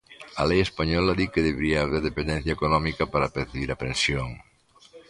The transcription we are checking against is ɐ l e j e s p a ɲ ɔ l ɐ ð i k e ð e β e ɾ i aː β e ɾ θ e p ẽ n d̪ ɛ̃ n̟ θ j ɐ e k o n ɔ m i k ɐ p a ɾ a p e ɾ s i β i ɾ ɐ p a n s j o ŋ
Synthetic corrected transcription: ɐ l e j e s p a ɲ ɔ l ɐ ð i k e ð e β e ɾ i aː β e ɾ ð e p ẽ n d̪ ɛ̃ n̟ θ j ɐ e k o n ɔ m i k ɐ p a ɾ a p e ɾ θ i β i ɾ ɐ p e n s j o ŋ